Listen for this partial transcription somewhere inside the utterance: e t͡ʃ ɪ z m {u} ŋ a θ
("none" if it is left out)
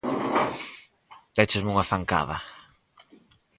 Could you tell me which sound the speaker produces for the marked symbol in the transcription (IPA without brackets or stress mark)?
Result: u